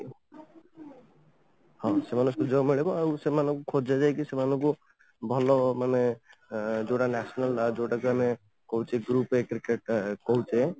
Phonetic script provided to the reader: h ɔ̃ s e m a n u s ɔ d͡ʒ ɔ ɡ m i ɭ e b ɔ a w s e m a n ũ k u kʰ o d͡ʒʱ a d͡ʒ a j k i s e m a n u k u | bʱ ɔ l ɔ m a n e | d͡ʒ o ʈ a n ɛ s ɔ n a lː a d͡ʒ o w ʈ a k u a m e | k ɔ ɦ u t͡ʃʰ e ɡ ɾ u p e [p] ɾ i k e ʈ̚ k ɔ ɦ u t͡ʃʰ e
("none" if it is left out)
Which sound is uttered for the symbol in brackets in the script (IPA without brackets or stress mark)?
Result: k